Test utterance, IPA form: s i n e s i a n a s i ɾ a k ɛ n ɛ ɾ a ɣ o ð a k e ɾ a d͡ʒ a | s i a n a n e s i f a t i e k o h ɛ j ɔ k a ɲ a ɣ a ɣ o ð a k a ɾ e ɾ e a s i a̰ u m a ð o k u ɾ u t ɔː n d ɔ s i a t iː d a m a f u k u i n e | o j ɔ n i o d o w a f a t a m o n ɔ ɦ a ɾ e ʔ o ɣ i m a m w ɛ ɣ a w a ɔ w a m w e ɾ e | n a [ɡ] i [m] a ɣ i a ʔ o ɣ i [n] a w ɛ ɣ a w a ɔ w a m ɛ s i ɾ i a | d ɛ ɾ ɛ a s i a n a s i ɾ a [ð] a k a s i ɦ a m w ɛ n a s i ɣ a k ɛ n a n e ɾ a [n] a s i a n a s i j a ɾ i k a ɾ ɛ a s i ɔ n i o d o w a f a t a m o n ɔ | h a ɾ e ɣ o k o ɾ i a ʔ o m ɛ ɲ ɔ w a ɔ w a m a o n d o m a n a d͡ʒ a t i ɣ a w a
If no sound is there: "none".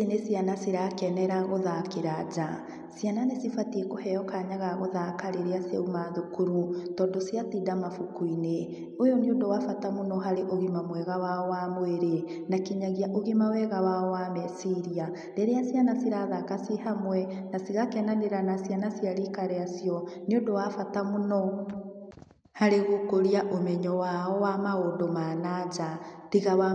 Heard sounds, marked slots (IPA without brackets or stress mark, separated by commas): k, ɲ, m, ð, n